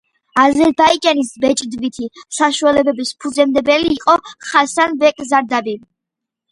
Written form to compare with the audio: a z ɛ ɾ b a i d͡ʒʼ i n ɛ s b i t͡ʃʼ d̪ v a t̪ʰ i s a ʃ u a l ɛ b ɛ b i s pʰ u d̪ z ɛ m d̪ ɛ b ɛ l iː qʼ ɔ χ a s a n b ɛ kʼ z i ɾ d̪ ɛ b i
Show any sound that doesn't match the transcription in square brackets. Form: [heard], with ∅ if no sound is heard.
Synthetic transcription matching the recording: a z ɛ ɾ b a i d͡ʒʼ [a] n [i] s b [ɛ] t͡ʃʼ d̪ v [i] t̪ʰ i s a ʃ u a l ɛ b ɛ b i s pʰ u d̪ z ɛ m d̪ ɛ b ɛ l iː qʼ ɔ χ a s a n b ɛ kʼ z [a] ɾ d̪ [a] b i